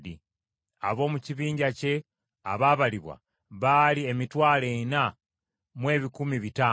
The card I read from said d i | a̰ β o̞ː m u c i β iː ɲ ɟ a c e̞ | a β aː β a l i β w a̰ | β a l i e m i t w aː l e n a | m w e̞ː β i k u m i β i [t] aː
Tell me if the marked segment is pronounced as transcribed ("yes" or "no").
yes